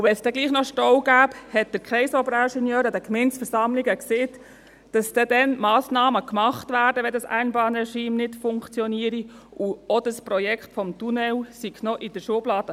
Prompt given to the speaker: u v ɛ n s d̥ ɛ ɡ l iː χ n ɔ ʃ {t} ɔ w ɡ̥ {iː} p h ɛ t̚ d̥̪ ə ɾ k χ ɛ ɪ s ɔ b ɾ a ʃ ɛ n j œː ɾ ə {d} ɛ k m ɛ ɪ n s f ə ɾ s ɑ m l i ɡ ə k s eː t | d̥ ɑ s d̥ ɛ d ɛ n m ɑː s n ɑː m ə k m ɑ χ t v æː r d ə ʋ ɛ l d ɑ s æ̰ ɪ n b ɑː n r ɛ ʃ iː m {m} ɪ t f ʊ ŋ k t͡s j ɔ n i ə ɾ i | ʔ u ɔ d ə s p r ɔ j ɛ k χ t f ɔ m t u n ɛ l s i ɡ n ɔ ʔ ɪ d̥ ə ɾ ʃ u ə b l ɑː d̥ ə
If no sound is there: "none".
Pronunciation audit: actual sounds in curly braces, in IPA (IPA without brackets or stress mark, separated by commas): t, æː, d, n